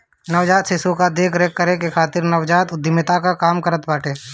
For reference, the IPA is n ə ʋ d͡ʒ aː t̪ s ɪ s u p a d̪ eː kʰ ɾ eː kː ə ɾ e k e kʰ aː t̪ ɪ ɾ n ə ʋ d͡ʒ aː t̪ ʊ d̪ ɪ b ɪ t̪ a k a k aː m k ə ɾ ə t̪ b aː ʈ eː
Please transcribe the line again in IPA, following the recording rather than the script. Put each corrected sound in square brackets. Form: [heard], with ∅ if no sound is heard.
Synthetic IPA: n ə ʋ d͡ʒ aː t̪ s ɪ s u [k] a d̪ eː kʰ ɾ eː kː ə ɾ e k e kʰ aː t̪ ɪ ɾ n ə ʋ d͡ʒ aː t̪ ʊ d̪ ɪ [m] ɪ t̪ a k a k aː m k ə ɾ ə t̪ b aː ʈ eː